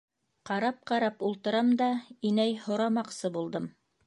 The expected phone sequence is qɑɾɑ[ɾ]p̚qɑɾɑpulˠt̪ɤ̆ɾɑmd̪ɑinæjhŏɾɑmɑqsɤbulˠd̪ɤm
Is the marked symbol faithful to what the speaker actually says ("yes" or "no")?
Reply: no